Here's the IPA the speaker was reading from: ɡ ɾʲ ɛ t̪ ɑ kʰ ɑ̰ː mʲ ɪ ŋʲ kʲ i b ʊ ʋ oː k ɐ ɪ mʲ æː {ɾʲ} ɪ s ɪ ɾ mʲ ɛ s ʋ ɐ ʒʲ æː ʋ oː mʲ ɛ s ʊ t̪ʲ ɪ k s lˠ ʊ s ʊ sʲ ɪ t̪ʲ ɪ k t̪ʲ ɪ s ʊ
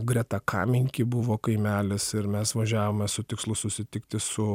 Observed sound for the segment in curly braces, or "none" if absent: lʲ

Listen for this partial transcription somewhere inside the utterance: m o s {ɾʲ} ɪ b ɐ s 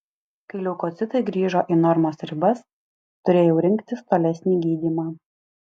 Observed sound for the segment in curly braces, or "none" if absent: ɾʲ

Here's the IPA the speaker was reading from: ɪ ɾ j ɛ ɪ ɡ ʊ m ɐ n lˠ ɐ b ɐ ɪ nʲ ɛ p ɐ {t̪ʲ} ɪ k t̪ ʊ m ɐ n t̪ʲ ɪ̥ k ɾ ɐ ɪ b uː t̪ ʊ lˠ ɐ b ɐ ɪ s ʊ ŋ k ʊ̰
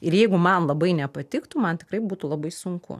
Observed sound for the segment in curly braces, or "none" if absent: t̪ʲ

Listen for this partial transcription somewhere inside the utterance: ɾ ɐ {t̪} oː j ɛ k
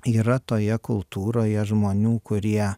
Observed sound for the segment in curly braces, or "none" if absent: t̪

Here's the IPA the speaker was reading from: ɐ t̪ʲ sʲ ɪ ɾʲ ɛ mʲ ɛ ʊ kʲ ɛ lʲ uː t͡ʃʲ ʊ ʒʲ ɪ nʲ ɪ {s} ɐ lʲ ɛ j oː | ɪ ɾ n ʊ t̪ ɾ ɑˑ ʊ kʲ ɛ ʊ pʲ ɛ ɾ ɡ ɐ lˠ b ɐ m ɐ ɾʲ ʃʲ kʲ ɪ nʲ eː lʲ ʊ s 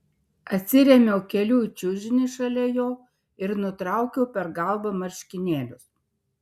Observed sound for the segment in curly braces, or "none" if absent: ʃ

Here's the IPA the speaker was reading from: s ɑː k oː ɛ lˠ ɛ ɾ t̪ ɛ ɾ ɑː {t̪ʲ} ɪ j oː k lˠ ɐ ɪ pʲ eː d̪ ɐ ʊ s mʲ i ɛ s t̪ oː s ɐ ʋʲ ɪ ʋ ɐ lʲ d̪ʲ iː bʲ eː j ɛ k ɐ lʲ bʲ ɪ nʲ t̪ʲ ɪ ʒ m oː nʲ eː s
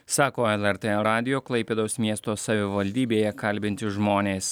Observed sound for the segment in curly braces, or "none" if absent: d̪ʲ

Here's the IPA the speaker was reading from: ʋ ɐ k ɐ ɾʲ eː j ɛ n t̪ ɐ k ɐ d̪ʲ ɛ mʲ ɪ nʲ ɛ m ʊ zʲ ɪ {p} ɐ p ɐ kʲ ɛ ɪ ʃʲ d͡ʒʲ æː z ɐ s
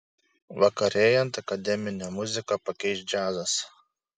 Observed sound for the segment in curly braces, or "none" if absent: k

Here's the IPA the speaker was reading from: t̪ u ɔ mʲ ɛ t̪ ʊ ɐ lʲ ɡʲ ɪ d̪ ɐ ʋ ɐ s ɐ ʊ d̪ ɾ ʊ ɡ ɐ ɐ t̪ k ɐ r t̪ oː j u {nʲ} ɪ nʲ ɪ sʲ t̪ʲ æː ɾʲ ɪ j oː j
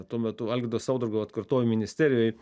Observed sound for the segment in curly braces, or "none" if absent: mʲ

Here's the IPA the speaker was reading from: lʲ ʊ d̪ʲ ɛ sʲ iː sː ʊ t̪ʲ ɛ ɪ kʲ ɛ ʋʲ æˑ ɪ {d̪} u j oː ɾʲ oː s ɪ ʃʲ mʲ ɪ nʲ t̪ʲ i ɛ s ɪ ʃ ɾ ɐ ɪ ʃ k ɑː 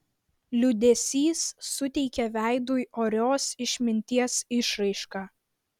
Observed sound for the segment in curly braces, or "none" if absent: d̪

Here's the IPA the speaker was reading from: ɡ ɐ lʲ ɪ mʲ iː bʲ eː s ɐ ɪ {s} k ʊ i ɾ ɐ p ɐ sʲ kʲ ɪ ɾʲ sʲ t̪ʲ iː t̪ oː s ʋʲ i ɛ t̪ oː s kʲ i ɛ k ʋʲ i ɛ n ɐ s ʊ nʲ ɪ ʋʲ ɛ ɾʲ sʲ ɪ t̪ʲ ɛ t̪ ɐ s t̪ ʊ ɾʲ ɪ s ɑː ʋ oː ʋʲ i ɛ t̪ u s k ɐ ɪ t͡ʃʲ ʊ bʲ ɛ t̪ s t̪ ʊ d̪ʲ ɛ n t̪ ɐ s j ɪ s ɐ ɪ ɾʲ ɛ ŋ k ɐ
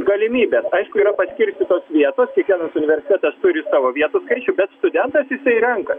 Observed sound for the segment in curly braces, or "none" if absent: ʃ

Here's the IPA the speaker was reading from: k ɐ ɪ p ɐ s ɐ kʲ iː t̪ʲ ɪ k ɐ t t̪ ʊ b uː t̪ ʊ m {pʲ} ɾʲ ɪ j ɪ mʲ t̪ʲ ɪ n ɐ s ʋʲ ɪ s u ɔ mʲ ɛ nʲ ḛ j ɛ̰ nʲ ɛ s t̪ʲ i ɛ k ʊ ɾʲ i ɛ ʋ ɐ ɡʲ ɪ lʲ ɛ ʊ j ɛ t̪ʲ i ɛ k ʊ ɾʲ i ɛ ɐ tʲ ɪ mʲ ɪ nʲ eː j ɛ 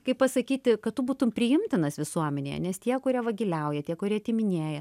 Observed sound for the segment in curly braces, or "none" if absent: pʲ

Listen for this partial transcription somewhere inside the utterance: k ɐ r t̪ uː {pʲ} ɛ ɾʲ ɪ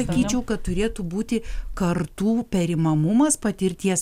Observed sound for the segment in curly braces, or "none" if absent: pʲ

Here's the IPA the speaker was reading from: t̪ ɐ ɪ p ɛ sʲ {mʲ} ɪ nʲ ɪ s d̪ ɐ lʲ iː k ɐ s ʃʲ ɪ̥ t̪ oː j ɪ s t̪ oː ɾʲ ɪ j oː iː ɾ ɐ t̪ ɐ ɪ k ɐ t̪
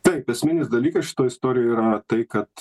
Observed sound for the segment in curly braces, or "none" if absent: mʲ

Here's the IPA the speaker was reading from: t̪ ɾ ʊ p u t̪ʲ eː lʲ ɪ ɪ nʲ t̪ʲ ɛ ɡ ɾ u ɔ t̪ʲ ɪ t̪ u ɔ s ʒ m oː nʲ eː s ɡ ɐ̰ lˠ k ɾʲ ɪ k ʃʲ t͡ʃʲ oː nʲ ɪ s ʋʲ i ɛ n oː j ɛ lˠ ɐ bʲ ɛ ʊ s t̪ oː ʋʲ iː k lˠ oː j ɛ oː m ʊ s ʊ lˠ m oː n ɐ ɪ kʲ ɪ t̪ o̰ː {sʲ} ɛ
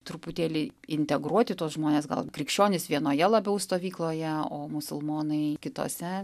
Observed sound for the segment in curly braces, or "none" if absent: sʲ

